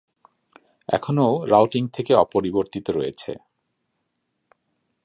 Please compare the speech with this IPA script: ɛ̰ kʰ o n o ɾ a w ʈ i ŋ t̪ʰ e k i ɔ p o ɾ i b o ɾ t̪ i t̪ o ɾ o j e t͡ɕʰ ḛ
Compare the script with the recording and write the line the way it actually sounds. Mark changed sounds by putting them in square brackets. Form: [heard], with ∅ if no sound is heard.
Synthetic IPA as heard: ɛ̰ kʰ o n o ɾ a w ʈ i ŋ t̪ʰ e k [e] ɔ p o ɾ i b o ɾ t̪ i t̪ o ɾ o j e t͡ɕʰ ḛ